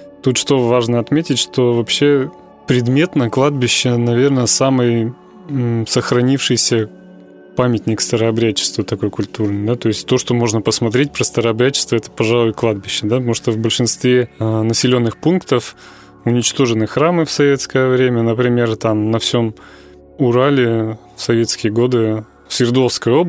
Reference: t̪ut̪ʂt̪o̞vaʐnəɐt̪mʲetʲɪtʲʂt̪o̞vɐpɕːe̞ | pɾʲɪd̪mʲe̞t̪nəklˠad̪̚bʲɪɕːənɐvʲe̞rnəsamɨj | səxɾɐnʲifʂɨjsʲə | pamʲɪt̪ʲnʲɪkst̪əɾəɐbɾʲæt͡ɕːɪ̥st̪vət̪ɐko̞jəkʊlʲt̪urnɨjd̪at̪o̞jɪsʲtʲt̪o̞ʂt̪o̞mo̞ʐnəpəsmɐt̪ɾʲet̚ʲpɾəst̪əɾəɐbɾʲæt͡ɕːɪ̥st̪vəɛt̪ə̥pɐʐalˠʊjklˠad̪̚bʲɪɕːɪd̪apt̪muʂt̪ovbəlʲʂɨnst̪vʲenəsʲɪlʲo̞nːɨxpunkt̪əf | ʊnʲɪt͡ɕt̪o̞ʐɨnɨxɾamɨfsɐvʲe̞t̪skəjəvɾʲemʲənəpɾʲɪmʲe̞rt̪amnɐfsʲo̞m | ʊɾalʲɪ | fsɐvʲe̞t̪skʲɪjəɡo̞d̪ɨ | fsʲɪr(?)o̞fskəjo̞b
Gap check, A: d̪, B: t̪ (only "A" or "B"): A